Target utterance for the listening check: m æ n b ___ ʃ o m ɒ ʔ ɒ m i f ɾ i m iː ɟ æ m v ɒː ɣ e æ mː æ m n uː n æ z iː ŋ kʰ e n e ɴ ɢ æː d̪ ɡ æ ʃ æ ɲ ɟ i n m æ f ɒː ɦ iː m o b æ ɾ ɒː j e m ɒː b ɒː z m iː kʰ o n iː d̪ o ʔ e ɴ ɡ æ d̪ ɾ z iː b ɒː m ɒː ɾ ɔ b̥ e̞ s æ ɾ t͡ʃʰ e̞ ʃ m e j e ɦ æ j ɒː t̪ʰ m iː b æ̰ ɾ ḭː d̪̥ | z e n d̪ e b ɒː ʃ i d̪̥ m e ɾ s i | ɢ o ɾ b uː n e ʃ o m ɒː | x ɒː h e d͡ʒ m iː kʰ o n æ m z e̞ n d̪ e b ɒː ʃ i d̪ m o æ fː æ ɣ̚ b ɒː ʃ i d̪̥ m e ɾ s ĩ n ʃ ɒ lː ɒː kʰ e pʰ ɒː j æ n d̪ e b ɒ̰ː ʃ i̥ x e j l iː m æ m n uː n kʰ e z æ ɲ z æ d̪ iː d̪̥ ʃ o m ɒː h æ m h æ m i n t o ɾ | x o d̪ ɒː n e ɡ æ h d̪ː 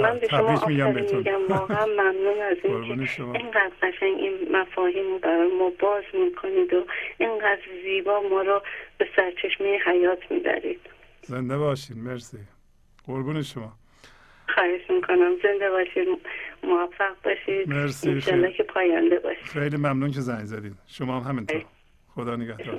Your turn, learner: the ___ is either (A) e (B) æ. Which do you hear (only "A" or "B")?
A